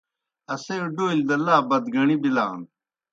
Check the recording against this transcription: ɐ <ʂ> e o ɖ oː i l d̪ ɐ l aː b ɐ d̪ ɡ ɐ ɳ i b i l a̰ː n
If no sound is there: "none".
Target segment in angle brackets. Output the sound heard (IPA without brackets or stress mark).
s